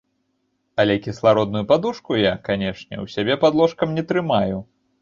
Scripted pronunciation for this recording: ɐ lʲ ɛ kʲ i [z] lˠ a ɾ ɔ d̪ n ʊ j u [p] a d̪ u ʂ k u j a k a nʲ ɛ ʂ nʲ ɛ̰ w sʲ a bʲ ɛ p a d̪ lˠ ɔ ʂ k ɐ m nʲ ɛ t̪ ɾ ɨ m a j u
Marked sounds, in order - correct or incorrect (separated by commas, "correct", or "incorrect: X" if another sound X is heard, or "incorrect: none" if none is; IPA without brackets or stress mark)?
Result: incorrect: s, correct